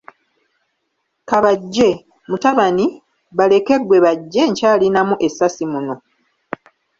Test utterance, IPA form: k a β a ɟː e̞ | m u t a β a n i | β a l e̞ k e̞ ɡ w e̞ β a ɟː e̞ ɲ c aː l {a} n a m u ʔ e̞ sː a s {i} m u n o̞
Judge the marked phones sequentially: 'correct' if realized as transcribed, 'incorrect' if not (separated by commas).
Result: incorrect, correct